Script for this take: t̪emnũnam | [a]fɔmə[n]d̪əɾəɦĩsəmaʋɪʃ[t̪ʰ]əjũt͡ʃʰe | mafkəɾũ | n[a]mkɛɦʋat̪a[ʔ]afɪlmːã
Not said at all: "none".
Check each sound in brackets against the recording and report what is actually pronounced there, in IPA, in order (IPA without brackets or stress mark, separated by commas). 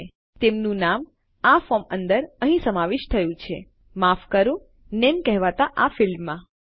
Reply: a, n, t̪ʰ, e, ʔ